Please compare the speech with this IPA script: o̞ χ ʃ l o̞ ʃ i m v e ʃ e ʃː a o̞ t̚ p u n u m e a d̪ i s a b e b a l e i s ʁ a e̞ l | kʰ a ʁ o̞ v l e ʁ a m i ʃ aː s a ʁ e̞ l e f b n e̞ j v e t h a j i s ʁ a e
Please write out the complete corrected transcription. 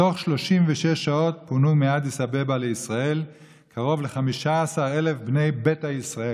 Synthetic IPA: o̞ χ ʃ l o̞ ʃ i m v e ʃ e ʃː a o̞ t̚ p u n u m e a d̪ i s a b e b a l e i s ʁ a e̞ l | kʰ a ʁ o̞ v l e χ a m i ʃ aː s a ʁ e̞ l e f b n e̞ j b e t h a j i s ʁ a e